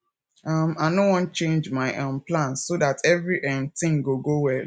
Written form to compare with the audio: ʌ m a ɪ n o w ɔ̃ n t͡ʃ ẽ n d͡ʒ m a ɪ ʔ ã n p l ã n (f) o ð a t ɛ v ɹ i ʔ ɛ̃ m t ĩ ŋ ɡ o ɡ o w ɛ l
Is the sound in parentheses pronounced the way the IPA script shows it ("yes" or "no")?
no